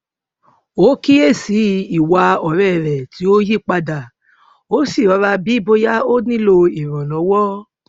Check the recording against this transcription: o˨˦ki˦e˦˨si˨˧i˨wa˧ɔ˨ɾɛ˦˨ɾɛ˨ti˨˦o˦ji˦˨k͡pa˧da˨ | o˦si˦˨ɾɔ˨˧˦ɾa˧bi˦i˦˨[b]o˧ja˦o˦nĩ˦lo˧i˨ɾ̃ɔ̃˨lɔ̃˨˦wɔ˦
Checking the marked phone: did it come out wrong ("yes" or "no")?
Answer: no